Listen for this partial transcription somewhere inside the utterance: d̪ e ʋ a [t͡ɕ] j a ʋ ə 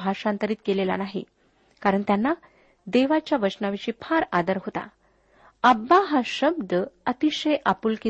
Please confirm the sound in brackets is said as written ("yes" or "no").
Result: yes